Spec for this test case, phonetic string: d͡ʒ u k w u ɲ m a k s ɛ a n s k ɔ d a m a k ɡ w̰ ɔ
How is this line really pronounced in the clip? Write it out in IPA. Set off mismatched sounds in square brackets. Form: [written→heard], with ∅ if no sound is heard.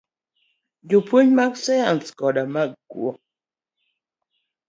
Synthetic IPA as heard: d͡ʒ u [k→p] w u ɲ m a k s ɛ a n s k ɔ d a m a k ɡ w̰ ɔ